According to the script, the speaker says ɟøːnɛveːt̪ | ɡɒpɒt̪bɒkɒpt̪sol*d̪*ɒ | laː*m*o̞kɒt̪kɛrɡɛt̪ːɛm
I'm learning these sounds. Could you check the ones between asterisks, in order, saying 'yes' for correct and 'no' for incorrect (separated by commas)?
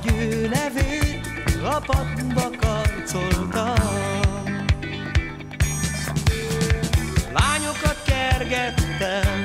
no, no